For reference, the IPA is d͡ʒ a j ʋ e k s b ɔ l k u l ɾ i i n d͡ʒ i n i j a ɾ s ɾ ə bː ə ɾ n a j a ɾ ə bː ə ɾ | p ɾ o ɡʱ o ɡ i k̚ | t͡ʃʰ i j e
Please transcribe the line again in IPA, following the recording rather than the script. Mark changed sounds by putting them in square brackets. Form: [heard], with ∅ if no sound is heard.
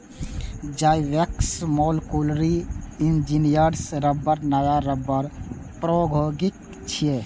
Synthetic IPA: d͡ʒ a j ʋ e k s [m] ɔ l k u l ɾ i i n d͡ʒ i n i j [ə] ɾ s ɾ ə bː ə ɾ n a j a ɾ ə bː ə ɾ | p ɾ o ɡʱ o ɡ i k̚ | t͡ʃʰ i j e